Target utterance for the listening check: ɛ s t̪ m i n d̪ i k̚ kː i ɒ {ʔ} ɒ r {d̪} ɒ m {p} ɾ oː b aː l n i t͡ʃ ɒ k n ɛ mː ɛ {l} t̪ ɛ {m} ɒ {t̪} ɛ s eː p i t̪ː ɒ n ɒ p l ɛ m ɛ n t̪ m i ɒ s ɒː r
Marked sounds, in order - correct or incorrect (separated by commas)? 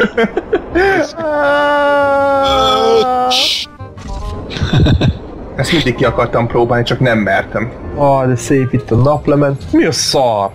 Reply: incorrect, incorrect, correct, incorrect, correct, incorrect